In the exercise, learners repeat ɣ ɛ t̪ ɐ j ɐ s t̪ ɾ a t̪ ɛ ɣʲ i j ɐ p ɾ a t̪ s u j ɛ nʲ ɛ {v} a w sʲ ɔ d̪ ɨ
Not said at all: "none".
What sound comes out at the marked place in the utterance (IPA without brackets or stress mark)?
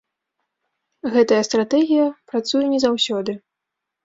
z